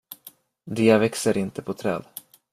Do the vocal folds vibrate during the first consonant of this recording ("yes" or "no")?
yes